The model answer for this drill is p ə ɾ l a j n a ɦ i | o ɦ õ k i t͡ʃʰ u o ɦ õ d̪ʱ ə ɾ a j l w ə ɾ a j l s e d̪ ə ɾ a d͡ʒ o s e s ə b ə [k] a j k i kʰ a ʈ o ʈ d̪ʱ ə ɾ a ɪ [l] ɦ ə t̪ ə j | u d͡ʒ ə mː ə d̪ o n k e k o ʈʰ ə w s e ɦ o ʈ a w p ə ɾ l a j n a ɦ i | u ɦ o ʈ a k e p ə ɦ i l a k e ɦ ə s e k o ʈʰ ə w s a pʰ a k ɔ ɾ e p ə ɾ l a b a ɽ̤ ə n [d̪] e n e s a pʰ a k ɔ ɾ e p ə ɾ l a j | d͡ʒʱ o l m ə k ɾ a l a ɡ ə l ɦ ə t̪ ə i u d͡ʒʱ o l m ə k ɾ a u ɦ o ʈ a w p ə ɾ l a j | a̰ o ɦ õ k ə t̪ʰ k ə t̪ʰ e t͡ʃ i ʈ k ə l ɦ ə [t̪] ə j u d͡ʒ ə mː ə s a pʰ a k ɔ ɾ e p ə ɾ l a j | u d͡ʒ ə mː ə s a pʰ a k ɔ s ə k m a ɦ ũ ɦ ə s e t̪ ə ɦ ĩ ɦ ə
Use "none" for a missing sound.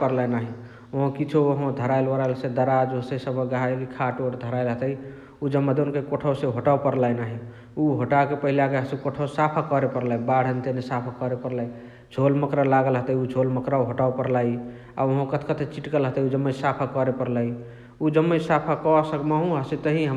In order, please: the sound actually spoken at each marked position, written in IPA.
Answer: ɡ, l, t̪, t̪

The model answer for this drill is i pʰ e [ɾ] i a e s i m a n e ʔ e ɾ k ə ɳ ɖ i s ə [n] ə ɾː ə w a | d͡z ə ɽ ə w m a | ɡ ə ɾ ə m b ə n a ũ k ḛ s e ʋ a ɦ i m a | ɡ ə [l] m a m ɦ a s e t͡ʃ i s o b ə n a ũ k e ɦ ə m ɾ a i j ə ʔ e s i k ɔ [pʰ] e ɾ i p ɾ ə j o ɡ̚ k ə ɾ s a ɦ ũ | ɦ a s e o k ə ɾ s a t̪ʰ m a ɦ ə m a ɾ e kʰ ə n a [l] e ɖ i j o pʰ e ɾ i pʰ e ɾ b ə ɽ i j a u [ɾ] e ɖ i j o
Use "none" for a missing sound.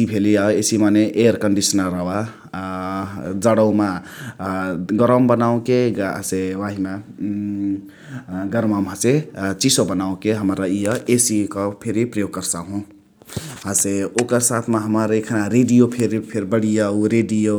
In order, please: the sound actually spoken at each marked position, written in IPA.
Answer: l, n, ɾ, pʰ, ɾ, ɾ

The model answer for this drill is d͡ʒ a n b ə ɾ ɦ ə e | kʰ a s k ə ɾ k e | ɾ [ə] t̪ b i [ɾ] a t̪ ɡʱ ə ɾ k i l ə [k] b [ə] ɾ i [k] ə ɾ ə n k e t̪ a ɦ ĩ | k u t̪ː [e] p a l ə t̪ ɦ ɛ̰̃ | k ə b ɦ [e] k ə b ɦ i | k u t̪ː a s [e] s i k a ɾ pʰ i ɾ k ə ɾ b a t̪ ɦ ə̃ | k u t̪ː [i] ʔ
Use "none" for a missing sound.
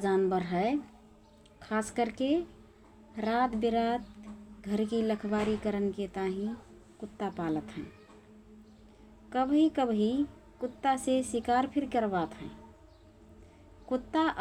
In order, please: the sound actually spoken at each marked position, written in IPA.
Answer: a, ɾ, kʰ, a, k, a, i, e, a

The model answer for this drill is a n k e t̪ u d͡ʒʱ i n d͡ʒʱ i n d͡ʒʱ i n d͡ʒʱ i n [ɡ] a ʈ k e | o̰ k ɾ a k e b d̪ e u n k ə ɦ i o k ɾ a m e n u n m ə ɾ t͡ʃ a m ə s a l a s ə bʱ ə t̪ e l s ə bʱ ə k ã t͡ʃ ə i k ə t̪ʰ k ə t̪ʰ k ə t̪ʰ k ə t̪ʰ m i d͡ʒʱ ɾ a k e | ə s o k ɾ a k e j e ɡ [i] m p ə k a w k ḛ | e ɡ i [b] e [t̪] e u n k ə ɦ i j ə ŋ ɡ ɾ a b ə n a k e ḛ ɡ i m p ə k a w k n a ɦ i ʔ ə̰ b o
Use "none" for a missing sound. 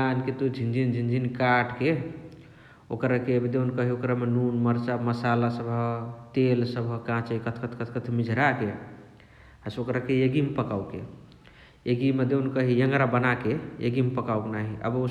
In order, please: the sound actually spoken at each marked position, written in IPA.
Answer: k, i, m, d̪

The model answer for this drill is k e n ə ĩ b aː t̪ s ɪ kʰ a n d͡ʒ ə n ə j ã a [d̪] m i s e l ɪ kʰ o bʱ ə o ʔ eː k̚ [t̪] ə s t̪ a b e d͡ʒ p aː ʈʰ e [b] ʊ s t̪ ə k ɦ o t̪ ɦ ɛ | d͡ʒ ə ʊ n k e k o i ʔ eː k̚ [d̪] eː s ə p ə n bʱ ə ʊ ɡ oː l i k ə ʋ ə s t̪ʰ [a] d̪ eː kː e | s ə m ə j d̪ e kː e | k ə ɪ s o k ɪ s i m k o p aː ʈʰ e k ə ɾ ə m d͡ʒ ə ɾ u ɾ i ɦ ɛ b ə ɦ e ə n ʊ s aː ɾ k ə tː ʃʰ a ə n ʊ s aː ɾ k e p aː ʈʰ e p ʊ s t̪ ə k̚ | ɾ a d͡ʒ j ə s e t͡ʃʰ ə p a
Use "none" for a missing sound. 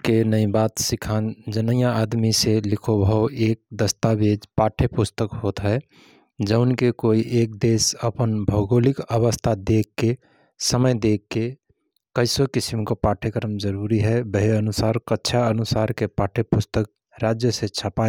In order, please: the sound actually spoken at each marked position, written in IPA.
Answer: d̪, d̪, p, d̪, a

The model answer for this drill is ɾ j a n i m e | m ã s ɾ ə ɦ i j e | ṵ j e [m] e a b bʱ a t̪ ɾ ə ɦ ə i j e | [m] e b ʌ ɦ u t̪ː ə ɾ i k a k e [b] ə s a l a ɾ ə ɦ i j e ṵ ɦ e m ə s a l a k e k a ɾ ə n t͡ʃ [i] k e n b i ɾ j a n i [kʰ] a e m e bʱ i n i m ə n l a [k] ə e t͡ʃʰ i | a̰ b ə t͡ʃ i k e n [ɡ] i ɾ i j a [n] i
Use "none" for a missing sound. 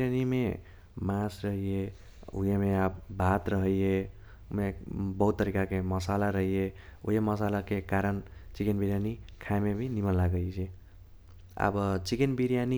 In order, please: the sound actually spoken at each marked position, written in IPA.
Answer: m, m, m, i, kʰ, ɡ, b, n

